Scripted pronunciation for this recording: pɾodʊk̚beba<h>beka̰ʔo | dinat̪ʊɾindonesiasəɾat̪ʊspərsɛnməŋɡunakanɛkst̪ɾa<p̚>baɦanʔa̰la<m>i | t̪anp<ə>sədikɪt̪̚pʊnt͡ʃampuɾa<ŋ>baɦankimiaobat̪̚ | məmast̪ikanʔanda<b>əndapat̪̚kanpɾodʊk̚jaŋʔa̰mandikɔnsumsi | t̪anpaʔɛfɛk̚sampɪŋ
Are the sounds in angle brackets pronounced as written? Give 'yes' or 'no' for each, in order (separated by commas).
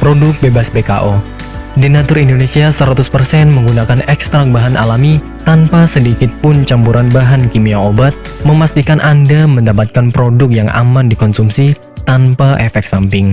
no, no, yes, no, no, no